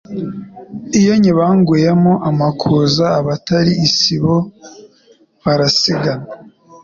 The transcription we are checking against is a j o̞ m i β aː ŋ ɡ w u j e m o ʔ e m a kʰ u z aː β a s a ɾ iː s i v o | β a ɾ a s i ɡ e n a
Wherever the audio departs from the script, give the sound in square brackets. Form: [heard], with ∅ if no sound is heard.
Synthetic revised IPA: [i] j o̞ [ɲ] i β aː ŋ ɡ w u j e m o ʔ [a] m a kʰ u z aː β a [t] a ɾ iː s i [β] o | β a ɾ a s i ɡ [a] n a